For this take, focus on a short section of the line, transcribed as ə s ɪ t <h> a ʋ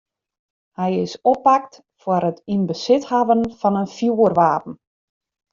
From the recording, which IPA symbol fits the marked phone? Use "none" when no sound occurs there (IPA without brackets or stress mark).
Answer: h